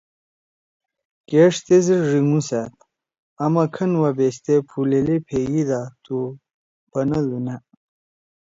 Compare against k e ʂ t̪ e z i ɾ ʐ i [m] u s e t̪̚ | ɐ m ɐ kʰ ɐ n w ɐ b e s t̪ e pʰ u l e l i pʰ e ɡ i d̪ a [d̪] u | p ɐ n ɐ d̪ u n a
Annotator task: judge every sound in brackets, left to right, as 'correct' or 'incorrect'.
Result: incorrect, incorrect

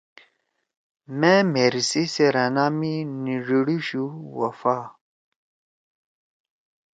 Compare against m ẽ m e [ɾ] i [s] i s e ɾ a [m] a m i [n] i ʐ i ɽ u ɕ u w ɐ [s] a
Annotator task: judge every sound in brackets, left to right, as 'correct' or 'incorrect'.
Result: correct, correct, incorrect, correct, incorrect

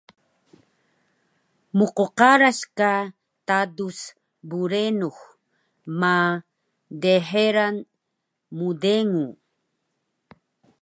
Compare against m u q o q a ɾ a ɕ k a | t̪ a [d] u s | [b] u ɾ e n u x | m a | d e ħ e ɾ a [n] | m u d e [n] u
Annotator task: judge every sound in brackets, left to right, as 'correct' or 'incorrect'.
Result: correct, correct, correct, incorrect

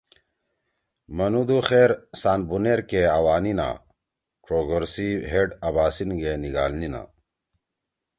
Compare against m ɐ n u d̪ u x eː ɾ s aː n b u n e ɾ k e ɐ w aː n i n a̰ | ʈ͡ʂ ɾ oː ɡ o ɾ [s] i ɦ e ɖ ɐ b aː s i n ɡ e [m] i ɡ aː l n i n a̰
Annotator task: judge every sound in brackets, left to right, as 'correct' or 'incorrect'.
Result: correct, incorrect

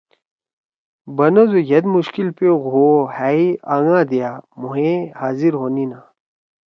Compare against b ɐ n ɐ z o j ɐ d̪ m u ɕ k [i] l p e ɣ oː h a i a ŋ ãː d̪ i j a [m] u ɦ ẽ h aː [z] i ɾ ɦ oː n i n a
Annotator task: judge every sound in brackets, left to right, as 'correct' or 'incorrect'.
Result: correct, correct, correct

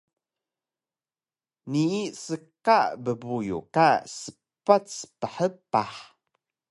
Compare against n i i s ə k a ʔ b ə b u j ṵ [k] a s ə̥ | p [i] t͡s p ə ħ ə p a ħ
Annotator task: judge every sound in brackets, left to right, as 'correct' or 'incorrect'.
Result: correct, incorrect

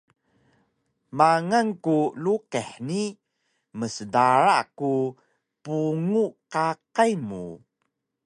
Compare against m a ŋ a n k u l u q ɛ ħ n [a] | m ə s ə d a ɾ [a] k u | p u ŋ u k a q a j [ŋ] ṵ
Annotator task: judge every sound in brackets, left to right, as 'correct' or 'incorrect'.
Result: incorrect, correct, incorrect

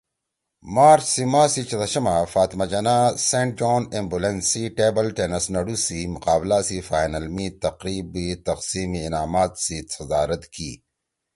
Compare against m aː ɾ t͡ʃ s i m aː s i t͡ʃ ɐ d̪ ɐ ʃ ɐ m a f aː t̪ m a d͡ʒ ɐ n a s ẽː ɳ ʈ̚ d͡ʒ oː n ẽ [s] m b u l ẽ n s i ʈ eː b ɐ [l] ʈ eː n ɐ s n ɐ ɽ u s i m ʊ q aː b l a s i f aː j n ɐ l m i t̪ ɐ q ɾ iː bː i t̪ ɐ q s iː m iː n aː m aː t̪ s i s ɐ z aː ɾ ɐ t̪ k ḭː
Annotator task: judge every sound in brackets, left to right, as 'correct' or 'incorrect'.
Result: incorrect, correct

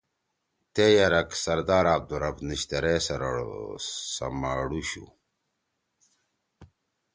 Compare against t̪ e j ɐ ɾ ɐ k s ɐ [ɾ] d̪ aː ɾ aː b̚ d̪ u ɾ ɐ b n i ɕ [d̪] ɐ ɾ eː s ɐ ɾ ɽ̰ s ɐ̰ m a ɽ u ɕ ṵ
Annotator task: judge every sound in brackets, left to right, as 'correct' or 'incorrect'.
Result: correct, incorrect

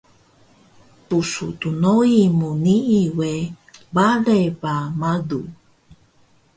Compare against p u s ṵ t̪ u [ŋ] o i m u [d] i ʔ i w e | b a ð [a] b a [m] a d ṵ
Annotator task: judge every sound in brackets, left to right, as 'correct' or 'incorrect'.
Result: incorrect, incorrect, incorrect, correct

